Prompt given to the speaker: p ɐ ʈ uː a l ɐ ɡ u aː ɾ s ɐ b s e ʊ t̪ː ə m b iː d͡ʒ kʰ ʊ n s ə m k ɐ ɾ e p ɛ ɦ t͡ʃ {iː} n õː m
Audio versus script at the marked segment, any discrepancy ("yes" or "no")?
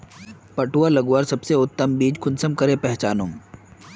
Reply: yes